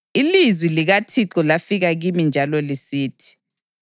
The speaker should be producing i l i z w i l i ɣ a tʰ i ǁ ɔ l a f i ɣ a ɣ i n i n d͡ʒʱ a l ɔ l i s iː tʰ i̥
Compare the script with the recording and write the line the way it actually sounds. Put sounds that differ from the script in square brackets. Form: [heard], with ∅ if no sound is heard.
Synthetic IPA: i l i z w i l i ɣ a tʰ i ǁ ɔ l a f i ɣ a ɣ i [m] i n d͡ʒʱ a l ɔ l i s iː tʰ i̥